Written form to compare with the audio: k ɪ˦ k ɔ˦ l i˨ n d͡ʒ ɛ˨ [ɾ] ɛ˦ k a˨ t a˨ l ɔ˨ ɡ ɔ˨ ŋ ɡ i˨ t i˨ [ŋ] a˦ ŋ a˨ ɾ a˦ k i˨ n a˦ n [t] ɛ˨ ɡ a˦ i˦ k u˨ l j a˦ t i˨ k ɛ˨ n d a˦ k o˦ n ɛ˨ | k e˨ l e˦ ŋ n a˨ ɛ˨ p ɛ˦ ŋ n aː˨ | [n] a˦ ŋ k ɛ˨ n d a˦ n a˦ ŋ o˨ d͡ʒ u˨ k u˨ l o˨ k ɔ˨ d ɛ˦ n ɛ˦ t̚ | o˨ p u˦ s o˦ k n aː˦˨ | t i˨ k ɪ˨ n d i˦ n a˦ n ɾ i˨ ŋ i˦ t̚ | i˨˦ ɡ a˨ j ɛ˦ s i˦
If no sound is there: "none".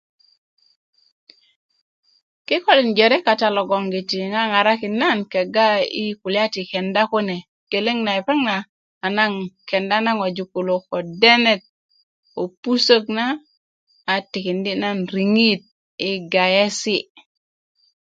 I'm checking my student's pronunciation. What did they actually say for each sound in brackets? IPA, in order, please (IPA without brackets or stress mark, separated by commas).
ɾ, ŋ, k, n